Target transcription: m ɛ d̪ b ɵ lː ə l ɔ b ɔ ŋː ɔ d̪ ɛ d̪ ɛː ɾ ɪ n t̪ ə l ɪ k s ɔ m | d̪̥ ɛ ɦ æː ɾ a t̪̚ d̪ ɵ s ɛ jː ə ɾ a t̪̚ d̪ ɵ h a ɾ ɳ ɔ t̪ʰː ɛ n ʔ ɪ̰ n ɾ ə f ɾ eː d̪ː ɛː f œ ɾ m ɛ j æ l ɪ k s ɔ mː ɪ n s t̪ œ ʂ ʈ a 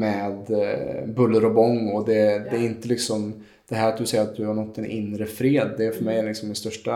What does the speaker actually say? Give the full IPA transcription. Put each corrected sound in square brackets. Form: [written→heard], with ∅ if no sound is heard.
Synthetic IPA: m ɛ d̪ b ɵ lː ə [l→ɾ] ɔ b ɔ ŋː ɔ d̪ ɛ d̪ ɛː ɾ ɪ n t̪ ə l ɪ k s ɔ m | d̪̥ ɛ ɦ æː ɾ a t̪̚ d̪ ɵ s ɛ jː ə ɾ a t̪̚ d̪ ɵ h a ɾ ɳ ɔ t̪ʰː ɛ n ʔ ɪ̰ n ɾ ə f ɾ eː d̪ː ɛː f œ ɾ m ɛ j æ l ɪ k s ɔ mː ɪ n s t̪ œ ʂ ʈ a